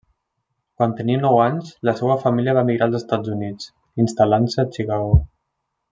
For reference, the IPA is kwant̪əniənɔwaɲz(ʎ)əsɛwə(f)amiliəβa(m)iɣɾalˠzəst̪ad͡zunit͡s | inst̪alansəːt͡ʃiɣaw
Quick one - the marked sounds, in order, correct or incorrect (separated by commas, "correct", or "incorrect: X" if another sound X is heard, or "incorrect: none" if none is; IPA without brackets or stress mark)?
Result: incorrect: l, correct, correct